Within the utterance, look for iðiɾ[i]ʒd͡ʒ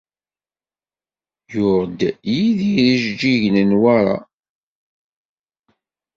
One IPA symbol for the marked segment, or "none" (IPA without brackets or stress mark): i